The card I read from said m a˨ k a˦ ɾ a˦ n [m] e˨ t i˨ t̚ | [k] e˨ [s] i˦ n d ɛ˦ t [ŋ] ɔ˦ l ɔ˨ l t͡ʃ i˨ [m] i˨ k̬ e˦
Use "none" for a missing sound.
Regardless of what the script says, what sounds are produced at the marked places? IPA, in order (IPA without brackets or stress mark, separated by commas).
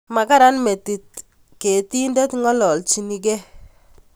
m, k, t, ŋ, n